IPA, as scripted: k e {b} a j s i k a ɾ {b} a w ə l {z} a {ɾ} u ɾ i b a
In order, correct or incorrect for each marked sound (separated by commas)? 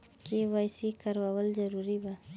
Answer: incorrect, incorrect, correct, correct